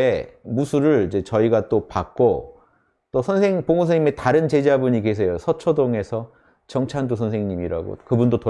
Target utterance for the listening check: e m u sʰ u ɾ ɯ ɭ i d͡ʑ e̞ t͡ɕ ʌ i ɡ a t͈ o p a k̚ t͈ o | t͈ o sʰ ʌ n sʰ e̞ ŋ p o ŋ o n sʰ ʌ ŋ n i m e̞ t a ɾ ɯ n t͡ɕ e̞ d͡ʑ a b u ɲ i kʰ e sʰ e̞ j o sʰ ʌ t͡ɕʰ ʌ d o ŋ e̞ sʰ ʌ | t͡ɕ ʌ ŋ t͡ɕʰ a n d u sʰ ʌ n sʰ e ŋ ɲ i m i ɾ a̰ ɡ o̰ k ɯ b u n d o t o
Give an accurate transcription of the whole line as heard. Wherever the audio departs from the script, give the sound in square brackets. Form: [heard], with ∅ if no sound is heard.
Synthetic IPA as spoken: e m u sʰ u ɾ ɯ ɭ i d͡ʑ e̞ t͡ɕ ʌ i ɡ a t͈ o p a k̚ [k͈] o | t͈ o sʰ ʌ n sʰ e̞ ŋ p o ŋ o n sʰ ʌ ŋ [ɲ] i m e̞ t a ɾ ɯ n t͡ɕ e̞ d͡ʑ a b u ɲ i [k] e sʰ e̞ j o sʰ ʌ t͡ɕʰ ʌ d o ŋ e̞ sʰ ʌ | t͡ɕ ʌ ŋ t͡ɕʰ a n d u sʰ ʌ n sʰ e ŋ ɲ i m i ɾ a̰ ɡ o̰ k ɯ b u n d o t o